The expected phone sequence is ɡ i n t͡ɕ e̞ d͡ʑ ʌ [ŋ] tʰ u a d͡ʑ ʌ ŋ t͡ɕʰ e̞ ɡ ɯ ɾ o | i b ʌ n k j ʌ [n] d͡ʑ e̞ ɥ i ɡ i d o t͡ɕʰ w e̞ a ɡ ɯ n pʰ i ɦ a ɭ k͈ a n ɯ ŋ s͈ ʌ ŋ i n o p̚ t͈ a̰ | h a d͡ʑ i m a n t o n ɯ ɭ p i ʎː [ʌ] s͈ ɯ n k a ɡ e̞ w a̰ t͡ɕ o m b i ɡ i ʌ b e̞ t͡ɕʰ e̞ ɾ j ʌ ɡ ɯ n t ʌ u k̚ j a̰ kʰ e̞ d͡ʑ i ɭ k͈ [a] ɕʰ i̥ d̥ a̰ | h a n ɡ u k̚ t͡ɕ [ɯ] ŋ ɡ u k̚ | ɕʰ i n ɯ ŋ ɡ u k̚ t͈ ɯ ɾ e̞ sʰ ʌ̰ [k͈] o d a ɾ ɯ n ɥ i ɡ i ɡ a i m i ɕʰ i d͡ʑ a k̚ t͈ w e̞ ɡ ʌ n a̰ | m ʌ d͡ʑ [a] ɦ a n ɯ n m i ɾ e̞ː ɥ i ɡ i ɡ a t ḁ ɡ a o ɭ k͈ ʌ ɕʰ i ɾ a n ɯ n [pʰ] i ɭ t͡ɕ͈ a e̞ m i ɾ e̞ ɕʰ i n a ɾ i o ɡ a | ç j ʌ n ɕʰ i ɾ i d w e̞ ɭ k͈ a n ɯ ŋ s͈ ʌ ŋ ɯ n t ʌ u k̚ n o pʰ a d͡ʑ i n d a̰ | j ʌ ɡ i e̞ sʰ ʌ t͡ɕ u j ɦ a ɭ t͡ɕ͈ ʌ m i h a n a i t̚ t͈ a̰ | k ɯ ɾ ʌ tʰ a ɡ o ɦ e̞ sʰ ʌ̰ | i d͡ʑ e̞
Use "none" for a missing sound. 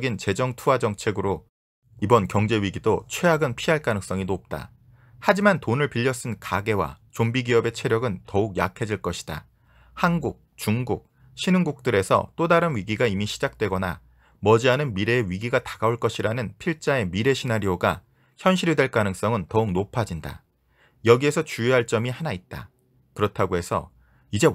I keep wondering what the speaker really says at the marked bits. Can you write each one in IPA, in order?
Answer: ŋ, ŋ, ʌ, ʌ, u, t͈, i, pʰ

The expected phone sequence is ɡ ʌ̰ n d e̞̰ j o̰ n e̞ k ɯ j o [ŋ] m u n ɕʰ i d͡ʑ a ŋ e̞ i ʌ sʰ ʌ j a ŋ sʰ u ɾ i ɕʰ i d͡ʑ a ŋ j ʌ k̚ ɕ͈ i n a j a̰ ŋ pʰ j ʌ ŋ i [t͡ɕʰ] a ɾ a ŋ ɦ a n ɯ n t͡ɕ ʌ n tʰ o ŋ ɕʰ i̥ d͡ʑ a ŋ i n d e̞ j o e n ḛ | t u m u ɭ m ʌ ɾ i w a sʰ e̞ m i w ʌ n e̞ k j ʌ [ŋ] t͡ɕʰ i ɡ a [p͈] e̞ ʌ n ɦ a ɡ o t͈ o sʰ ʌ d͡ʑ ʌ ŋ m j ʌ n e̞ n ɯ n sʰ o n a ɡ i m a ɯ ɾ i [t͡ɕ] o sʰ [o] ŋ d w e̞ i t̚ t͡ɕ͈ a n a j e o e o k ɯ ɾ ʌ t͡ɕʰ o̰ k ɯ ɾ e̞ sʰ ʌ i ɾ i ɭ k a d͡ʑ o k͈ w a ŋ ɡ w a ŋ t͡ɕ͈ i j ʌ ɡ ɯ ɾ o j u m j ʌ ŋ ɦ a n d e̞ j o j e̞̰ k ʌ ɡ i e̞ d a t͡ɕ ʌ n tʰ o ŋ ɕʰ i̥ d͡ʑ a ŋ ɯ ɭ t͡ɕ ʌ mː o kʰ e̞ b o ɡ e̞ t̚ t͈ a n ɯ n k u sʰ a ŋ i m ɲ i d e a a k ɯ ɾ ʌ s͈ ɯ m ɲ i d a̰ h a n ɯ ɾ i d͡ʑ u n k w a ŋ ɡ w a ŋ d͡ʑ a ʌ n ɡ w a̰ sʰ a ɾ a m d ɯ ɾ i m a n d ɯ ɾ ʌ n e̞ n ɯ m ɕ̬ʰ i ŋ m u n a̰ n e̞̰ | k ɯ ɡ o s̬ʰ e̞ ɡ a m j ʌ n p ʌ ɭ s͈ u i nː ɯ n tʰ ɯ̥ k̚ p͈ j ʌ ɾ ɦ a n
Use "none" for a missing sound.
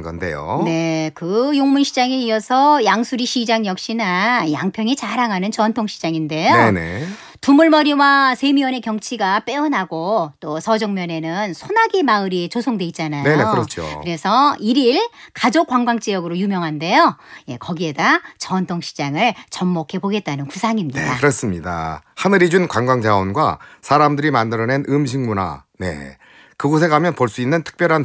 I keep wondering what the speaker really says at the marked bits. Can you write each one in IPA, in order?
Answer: ŋ, t͡ɕ, ŋ, p͈, t͡ɕ, o

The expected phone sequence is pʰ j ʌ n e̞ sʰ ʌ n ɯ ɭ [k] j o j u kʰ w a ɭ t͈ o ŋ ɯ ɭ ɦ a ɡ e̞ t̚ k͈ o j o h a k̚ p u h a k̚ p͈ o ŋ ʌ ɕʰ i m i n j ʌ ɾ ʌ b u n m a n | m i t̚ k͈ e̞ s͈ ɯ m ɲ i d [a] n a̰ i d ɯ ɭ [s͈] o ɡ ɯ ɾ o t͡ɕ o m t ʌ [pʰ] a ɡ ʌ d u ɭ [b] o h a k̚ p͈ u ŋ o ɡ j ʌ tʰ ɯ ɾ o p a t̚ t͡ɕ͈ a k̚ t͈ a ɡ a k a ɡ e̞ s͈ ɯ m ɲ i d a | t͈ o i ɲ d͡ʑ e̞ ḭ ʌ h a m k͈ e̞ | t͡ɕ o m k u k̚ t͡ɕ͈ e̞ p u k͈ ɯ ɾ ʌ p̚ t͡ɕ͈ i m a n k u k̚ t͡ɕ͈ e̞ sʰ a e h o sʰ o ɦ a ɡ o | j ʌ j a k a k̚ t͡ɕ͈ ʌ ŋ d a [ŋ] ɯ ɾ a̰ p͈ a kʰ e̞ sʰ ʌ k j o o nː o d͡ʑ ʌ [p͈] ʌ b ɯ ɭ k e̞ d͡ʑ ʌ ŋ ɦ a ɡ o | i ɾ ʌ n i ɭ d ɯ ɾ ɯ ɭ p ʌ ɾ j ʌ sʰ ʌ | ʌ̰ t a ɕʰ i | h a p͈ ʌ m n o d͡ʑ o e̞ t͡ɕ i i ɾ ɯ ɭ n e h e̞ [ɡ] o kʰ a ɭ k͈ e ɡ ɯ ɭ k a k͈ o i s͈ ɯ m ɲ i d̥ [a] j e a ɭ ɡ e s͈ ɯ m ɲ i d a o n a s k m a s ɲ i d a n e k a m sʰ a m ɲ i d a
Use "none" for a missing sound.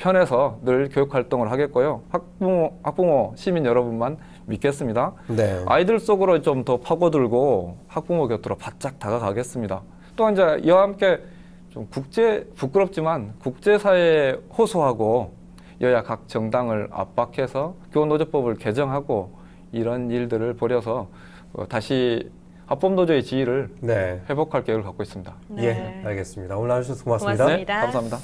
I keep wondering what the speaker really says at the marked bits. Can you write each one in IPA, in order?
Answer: k, a, s͈, pʰ, ɡ, ŋ, p͈, b, a

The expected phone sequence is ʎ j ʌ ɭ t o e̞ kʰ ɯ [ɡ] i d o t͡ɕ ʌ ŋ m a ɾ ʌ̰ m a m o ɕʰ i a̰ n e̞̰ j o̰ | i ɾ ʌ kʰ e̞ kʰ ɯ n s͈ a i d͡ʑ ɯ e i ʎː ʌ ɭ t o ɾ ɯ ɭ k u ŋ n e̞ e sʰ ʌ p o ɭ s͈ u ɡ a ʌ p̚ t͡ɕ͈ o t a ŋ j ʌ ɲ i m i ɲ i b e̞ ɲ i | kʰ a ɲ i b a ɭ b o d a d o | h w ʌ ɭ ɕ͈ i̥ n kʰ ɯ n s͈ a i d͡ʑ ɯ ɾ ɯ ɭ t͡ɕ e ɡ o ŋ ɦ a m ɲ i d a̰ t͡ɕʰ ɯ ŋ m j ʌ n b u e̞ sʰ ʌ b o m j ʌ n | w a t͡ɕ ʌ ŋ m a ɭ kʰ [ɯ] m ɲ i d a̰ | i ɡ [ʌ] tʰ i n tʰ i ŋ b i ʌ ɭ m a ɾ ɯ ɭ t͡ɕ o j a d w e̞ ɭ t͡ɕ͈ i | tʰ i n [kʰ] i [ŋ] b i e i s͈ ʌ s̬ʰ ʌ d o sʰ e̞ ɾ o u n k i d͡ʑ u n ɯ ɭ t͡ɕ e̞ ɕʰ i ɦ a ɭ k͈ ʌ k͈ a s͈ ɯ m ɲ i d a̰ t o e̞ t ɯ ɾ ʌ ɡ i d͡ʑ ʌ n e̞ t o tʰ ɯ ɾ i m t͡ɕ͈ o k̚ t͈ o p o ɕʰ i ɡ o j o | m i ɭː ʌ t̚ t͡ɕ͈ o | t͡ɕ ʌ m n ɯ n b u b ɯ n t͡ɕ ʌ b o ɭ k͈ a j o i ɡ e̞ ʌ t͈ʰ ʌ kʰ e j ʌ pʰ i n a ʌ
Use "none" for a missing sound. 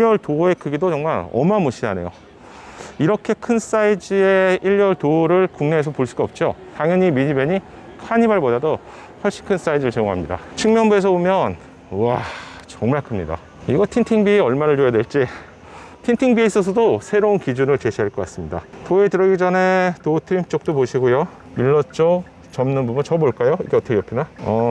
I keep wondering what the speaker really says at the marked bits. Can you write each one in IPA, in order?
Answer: ɡ, ɯ, ʌ, tʰ, ŋ

